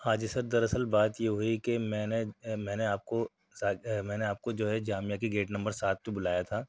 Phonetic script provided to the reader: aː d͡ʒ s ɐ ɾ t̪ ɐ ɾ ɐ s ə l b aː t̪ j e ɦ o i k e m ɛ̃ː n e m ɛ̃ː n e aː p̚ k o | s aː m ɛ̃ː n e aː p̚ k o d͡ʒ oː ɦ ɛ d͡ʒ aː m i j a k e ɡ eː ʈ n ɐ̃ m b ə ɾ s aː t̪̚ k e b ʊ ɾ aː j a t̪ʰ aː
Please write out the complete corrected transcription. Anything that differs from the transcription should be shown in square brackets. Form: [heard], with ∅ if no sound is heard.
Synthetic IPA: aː d͡ʒ s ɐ ɾ [d̪] ɐ ɾ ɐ s ə l b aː t̪ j e ɦ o i k e m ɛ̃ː n e m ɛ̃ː n e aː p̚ k o | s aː m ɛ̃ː n e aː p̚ k o d͡ʒ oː ɦ ɛ d͡ʒ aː m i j a k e ɡ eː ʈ n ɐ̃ m b ə ɾ s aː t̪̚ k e b ʊ [l] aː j a t̪ʰ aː